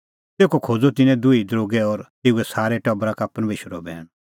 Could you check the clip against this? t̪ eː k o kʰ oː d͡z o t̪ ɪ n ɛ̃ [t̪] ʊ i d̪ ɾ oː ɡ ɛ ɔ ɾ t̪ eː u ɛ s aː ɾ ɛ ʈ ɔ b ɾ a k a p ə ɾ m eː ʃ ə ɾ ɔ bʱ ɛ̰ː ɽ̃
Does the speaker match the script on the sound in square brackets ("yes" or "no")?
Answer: no